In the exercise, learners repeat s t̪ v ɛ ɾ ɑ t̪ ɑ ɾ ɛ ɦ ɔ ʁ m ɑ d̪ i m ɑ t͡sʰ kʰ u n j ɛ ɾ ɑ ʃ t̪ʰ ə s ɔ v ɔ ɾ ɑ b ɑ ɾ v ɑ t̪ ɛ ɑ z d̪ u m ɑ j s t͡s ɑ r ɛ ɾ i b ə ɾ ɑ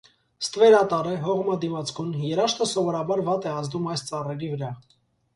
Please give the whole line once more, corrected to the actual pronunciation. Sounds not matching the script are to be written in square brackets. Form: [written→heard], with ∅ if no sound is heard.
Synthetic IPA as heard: s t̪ v ɛ ɾ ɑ t̪ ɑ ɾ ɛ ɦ ɔ ʁ m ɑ d̪ i m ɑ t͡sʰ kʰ u n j ɛ ɾ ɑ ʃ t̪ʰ ə s ɔ v ɔ ɾ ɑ b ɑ ɾ v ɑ t̪ ɛ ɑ z d̪ u m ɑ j s t͡s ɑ r ɛ ɾ i [b→v] ə ɾ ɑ